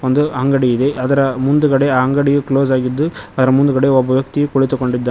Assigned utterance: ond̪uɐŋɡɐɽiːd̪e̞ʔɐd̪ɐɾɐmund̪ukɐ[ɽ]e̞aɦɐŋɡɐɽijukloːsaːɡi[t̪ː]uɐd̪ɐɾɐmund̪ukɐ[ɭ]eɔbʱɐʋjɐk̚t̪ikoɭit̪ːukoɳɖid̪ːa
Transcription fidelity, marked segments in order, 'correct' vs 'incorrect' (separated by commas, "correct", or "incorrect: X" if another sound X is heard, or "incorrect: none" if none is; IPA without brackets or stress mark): correct, incorrect: d̪ː, incorrect: ɽ